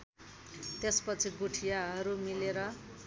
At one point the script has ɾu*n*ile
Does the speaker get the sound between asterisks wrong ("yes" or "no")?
yes